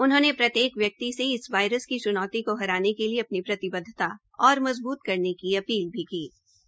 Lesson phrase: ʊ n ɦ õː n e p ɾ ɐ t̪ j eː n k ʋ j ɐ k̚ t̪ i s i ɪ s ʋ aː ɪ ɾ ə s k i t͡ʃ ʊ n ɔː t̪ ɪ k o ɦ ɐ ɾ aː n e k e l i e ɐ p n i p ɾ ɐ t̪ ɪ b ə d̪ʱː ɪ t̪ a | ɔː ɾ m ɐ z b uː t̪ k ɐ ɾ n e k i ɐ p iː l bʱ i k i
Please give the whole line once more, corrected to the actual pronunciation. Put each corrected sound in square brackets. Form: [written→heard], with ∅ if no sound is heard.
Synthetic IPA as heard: ʊ n ɦ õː n e p ɾ ɐ t̪ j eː [n→∅] k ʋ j ɐ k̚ t̪ i s [i→e] ɪ s ʋ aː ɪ ɾ ə s k i t͡ʃ ʊ n ɔː t̪ [ɪ→i] k o ɦ ɐ ɾ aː n e k e l i e ɐ p n i p ɾ ɐ t̪ ɪ b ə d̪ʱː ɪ t̪ a | ɔː ɾ m ɐ z b uː t̪ k ɐ ɾ n e k i ɐ p iː l bʱ i k [i→iː]